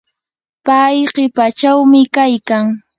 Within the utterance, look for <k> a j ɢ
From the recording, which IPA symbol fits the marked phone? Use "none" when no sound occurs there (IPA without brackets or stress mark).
p